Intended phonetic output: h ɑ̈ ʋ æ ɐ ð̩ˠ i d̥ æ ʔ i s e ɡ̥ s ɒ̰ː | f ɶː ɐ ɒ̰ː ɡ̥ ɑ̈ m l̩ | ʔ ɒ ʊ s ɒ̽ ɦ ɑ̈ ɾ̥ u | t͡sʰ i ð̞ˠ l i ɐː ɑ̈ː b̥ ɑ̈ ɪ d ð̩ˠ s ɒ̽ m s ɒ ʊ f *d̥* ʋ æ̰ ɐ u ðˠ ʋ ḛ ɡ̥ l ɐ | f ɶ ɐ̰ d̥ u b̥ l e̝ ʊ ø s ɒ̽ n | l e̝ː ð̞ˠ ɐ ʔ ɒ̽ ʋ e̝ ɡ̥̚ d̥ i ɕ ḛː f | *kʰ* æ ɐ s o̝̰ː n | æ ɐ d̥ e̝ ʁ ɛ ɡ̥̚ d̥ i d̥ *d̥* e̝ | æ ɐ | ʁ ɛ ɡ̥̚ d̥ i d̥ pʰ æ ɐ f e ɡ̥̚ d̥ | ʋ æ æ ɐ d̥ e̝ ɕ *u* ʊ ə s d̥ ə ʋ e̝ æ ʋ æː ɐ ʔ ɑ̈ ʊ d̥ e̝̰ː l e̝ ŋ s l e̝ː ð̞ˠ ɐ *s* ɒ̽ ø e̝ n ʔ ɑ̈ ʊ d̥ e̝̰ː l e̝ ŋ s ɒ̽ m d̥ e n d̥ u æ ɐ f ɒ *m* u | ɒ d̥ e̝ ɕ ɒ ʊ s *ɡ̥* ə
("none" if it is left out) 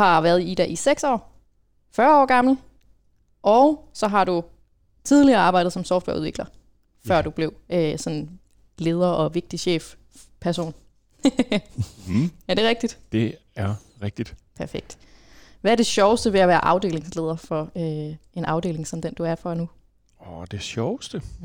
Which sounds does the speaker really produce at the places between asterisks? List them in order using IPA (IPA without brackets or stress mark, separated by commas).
d̥, pʰ, d̥, ɒ, f, n, d̥